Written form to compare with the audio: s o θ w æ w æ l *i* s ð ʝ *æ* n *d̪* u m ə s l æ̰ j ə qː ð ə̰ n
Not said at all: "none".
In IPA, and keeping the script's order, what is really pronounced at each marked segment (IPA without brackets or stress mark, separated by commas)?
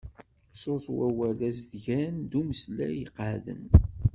æ, æ, d̪